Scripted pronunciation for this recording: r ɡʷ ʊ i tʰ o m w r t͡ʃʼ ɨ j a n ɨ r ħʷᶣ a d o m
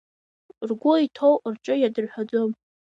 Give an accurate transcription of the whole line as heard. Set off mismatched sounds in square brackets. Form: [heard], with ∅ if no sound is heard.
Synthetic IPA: r ɡʷ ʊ i tʰ o [∅] w r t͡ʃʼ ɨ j a [d] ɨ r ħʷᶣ a [d͡z] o m